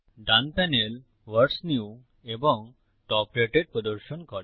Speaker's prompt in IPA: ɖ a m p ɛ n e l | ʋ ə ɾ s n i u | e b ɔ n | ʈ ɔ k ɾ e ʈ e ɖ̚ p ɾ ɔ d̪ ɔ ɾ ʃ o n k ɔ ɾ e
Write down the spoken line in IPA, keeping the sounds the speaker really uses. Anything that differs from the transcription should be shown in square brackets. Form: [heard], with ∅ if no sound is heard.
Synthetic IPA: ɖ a [n] p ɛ n e l | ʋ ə ɾ s n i u | e b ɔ [ŋ] | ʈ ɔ [p] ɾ e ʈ e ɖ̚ p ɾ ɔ d̪ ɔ ɾ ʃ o n k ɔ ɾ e